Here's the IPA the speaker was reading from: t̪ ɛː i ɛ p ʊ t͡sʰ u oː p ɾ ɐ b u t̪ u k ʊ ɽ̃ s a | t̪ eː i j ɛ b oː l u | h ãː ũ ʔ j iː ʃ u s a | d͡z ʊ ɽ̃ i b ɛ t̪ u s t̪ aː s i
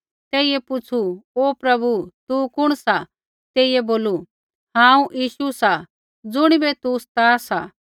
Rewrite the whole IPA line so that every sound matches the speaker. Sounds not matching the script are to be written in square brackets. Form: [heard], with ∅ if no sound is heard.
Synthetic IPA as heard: t̪ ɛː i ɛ p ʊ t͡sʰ u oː p ɾ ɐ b u t̪ u k ʊ ɽ̃ s a | t̪ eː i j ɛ b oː l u | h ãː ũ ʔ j iː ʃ u s a | d͡z ʊ ɽ̃ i b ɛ t̪ u s t̪ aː s [a]